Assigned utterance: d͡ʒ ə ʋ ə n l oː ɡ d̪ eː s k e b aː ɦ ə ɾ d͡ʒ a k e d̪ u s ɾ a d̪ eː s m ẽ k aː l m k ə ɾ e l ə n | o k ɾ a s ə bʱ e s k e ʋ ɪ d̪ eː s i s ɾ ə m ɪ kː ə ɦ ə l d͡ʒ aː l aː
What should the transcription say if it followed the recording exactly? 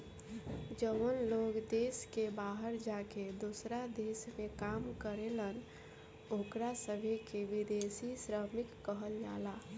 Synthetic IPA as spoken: d͡ʒ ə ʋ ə n l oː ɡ d̪ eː s k e b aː ɦ ə ɾ d͡ʒ a k e d̪ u s ɾ a d̪ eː s m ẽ k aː m k ə ɾ e l ə n | o k ɾ a s ə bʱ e k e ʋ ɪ d̪ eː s i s ɾ ə m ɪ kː ə ɦ ə l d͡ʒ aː l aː